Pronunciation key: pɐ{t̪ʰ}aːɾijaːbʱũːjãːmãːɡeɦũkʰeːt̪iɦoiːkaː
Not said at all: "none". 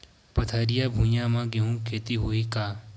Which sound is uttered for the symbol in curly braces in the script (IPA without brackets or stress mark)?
t̪ʰ